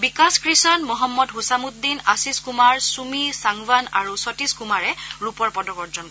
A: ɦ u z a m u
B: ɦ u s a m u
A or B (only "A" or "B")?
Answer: B